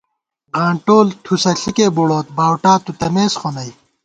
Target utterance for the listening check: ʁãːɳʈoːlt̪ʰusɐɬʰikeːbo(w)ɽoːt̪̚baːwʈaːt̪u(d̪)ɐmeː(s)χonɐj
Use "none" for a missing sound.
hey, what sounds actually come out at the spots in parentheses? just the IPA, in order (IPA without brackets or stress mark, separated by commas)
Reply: none, t̪, s